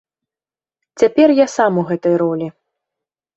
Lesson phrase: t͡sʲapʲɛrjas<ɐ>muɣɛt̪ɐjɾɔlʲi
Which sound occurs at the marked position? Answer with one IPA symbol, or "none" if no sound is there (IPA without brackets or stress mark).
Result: a